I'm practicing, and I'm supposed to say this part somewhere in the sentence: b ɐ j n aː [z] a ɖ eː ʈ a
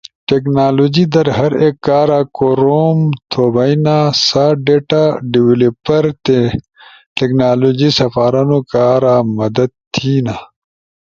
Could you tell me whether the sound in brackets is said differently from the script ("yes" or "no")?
yes